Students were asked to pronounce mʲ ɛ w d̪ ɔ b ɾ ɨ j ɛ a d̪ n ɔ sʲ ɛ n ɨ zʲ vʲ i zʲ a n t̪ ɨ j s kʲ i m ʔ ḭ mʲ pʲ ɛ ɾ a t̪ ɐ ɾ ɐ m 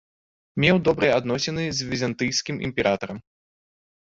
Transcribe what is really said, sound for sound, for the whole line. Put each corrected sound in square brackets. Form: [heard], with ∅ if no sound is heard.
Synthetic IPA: mʲ ɛ w d̪ ɔ b ɾ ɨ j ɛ a d̪ n ɔ sʲ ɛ n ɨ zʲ vʲ i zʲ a n t̪ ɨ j s kʲ i m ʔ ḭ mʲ pʲ ɛ ɾ a t̪ ɐ ɾ ɐ m